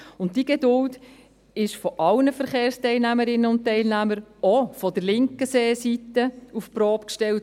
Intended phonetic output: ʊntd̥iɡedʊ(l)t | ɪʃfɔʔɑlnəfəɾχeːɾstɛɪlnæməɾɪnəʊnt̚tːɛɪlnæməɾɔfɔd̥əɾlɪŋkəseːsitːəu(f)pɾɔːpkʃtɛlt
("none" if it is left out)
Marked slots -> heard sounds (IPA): l, f

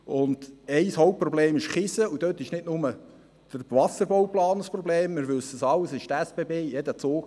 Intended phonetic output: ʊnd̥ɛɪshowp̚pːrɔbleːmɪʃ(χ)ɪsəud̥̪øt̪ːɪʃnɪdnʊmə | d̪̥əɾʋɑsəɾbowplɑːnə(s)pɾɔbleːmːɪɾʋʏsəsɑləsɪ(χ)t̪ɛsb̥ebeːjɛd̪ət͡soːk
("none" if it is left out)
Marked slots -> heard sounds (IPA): χ, s, ʃ

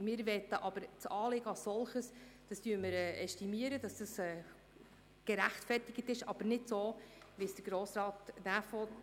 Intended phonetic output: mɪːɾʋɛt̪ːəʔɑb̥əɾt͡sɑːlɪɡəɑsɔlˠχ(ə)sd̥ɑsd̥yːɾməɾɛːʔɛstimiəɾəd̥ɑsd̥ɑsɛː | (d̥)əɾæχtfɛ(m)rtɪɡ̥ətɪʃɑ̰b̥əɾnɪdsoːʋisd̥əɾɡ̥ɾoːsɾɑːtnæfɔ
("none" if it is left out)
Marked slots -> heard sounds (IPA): ə, ɡ̥, none

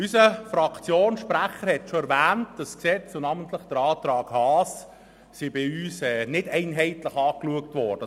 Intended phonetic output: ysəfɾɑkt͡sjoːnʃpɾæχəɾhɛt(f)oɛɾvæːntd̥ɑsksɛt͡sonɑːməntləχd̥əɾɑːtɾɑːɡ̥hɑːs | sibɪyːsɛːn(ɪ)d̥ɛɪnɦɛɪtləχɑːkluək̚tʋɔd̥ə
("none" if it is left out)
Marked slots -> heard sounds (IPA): ʃ, ɪ

